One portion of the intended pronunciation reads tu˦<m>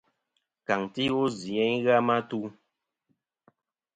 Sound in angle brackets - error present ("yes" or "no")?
yes